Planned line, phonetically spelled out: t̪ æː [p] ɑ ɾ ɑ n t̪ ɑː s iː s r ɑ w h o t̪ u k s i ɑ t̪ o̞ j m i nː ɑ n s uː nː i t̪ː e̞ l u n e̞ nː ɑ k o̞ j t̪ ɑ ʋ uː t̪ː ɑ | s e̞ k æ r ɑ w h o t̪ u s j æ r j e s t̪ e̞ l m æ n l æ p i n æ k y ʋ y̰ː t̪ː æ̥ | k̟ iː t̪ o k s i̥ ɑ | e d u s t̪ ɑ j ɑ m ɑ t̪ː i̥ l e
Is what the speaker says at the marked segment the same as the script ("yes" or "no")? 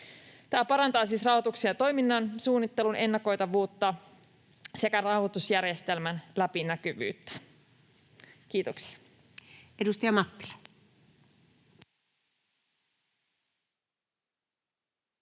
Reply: yes